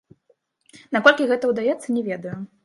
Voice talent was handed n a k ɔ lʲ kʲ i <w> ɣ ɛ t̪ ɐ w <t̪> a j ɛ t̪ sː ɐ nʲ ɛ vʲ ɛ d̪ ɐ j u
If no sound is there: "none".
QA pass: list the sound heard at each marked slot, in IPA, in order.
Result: none, d̪

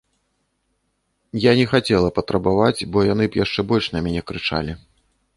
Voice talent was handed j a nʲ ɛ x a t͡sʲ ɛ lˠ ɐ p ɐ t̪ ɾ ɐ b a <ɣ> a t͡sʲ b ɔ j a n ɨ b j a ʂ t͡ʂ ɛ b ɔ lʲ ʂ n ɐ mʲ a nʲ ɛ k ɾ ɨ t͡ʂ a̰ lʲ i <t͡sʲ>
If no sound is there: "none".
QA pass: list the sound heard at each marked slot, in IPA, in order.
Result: v, none

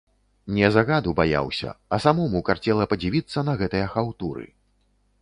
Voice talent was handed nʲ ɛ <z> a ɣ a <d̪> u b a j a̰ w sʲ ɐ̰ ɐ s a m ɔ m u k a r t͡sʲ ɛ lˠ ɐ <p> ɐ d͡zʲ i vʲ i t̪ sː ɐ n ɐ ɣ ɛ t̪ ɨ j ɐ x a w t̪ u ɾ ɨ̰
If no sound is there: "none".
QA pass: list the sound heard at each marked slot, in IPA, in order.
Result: z, d̪, p

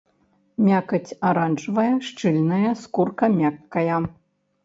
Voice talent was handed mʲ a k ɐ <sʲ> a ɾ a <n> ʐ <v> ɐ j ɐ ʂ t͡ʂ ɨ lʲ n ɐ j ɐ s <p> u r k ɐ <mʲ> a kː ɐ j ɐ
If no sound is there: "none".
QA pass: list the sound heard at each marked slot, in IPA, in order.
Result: t͡sʲ, n, v, k, mʲ

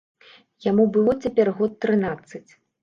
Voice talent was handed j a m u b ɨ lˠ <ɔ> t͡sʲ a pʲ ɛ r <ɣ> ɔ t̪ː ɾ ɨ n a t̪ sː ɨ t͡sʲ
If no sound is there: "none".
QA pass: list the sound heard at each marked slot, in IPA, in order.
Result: ɔ, ɣ

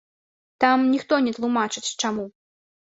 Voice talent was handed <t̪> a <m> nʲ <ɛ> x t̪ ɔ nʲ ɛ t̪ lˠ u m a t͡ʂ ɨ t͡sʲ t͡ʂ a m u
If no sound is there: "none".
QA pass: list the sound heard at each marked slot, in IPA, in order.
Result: t̪, m, i

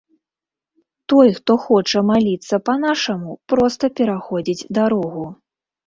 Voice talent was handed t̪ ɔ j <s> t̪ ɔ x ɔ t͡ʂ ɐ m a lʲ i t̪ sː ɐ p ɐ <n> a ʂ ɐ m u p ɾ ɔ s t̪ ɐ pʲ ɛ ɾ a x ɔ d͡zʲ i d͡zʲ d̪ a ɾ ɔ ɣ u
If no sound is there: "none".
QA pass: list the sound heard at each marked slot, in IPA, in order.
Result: x, n

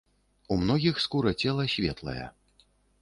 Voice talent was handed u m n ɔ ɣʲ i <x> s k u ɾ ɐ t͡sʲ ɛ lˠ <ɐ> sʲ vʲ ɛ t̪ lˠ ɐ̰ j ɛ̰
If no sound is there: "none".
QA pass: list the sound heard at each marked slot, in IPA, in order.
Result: x, ɐ

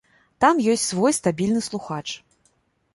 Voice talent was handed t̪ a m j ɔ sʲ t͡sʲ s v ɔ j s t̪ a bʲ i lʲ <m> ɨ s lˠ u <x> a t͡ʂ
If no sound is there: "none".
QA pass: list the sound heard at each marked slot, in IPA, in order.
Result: n, x

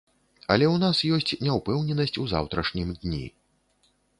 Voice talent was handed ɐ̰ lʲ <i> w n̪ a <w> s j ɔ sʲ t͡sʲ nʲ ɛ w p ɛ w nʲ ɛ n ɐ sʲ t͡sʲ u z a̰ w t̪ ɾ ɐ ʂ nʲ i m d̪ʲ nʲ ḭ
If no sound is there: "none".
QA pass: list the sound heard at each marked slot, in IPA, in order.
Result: ɛ, none

